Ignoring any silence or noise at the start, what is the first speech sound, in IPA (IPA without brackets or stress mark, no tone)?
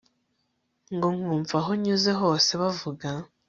ŋ